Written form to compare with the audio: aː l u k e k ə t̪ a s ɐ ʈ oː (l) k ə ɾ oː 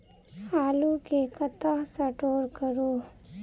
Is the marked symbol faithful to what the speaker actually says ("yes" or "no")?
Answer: no